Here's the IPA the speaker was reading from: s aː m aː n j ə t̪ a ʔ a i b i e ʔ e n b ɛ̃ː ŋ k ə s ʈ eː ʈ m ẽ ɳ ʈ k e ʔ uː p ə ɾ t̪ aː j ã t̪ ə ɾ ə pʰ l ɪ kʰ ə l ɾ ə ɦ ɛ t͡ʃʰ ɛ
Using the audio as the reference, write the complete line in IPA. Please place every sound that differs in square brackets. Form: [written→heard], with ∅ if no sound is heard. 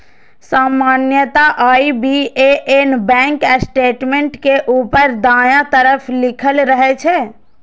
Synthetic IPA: s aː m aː n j ə t̪ a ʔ a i b i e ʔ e n b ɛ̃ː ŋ k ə s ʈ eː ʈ m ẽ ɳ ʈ k e ʔ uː p ə ɾ [t̪→d̪] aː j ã t̪ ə ɾ ə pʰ l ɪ kʰ ə l ɾ ə ɦ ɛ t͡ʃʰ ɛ

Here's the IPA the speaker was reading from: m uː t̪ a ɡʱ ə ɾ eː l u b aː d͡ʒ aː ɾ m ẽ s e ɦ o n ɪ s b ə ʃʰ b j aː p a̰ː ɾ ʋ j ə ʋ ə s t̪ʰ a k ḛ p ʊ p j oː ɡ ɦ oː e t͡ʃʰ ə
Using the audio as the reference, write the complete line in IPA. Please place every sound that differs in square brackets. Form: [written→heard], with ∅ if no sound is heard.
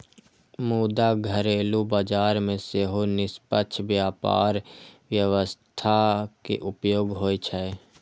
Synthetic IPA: m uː [t̪→d̪] a ɡʱ ə ɾ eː l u b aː d͡ʒ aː ɾ m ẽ s e ɦ o n ɪ s [b→p] ə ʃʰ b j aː p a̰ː ɾ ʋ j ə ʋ ə s t̪ʰ a k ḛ [p→ʔ] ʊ p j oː ɡ ɦ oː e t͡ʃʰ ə

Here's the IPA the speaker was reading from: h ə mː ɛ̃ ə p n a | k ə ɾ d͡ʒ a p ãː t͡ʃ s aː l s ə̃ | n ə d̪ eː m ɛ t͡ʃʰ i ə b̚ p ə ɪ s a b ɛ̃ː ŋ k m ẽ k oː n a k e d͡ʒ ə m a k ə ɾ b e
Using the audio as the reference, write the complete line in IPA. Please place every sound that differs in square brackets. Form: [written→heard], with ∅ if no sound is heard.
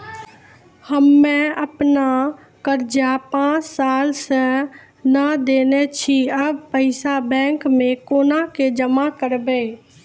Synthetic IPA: h ə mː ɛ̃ ə p n a | k ə ɾ d͡ʒ a p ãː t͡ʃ s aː l s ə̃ | n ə d̪ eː [m→n] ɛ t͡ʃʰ i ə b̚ p ə ɪ s a b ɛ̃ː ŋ k m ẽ k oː n a k e d͡ʒ ə m a k ə ɾ b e

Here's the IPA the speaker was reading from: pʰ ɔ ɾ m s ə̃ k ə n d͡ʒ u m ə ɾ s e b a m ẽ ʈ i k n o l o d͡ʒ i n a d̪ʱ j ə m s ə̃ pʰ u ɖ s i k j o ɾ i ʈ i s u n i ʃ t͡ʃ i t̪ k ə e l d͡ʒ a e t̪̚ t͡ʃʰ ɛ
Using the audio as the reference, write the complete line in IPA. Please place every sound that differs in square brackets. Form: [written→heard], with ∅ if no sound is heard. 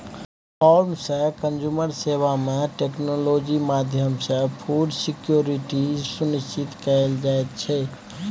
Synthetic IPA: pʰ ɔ ɾ m s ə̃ k ə n d͡ʒ u m ə ɾ s e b a m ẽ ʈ [i→e] k n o l o d͡ʒ i [n→m] a d̪ʱ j ə m s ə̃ pʰ u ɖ s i k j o ɾ i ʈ i s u n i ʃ t͡ʃ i t̪ k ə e l d͡ʒ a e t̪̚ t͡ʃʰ ɛ

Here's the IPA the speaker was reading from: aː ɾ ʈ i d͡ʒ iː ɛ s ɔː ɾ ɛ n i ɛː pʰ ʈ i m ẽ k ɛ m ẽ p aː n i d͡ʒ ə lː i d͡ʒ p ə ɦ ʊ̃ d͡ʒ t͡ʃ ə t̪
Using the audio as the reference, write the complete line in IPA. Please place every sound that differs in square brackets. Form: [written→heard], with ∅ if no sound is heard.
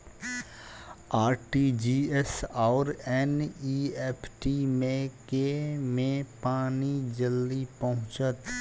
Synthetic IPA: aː ɾ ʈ i d͡ʒ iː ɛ s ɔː ɾ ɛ n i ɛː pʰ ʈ i m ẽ k [ɛ→e] m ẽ p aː n i d͡ʒ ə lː i [d͡ʒ→∅] p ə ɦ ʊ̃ [d͡ʒ→∅] t͡ʃ ə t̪

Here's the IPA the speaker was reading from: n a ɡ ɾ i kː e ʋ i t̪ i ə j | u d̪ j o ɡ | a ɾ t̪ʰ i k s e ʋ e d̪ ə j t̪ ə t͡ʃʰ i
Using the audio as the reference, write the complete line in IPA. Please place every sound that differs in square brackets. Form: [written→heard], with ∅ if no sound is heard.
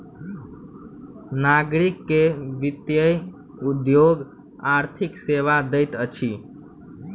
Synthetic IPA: n a ɡ ɾ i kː e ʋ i t̪ [i→j] ə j | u d̪ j o ɡ | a ɾ t̪ʰ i k s e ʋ [e→a] d̪ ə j t̪ ə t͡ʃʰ i

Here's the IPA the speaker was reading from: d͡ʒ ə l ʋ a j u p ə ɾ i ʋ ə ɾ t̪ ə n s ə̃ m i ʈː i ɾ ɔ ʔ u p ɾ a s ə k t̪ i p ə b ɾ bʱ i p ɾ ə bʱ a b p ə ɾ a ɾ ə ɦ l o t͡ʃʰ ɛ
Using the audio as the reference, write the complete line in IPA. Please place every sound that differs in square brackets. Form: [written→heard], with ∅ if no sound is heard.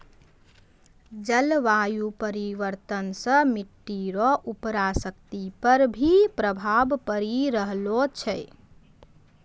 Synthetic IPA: d͡ʒ ə l ʋ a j u p ə ɾ i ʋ ə ɾ t̪ ə n s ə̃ m i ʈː i ɾ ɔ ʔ u p ɾ a s ə k t̪ i p ə [b→∅] ɾ bʱ i p ɾ ə bʱ a b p ə ɾ [a→i] ɾ ə ɦ l o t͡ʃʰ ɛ

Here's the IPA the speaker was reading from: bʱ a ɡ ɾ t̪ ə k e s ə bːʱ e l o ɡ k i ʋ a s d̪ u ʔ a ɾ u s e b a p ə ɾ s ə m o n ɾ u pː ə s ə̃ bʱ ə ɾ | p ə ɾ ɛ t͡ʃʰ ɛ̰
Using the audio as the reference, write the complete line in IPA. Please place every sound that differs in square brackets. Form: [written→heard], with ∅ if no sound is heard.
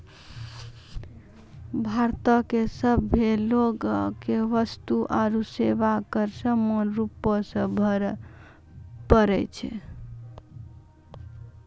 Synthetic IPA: bʱ a [ɡ→∅] ɾ t̪ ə k e s ə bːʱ e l o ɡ k [i→e] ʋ [a→ə] s [d̪→t̪] u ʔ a ɾ u s e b a [p→k] ə ɾ s ə m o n ɾ u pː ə s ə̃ bʱ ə ɾ | p ə ɾ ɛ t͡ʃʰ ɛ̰

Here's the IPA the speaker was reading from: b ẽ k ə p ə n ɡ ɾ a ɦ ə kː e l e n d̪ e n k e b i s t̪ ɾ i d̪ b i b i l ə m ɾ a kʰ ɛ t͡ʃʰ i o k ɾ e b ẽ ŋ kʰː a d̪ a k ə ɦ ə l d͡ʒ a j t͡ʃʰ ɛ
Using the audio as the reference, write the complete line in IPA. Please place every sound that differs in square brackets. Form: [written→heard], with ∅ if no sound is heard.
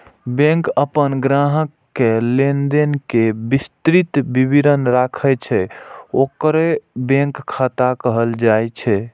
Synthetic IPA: b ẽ k ə p ə n ɡ ɾ a ɦ ə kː e l e n d̪ e n k e b i s t̪ ɾ i [d̪→t̪] b i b i [l→ɾ] ə [m→n] ɾ a kʰ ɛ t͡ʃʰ [i→ɛ] o k ɾ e b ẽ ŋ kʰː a [d̪→t̪] a k ə ɦ ə l d͡ʒ a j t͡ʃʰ ɛ

